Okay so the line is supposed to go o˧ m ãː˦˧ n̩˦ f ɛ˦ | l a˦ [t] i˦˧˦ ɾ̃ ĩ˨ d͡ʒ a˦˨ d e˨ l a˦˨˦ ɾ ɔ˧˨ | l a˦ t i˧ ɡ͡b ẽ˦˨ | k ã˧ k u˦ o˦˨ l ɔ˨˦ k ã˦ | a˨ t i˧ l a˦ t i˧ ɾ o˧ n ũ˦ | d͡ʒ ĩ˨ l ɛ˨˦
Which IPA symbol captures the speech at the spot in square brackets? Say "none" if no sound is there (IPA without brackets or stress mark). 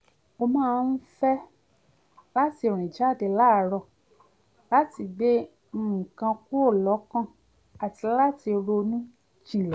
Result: t